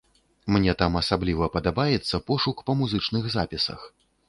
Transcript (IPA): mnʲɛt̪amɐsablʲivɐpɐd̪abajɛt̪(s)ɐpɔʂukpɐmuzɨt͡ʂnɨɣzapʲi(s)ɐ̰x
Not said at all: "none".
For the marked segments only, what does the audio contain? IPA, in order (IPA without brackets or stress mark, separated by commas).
sː, s